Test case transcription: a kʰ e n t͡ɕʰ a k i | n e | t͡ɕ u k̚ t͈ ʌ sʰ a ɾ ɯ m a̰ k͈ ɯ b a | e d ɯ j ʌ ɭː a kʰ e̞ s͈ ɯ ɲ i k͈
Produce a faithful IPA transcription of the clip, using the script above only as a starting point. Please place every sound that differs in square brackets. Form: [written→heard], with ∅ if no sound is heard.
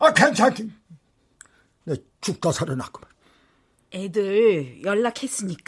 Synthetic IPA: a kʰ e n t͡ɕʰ a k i | n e | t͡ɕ u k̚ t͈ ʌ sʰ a ɾ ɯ [m→n] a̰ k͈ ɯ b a | e d ɯ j ʌ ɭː a kʰ e̞ s͈ ɯ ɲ i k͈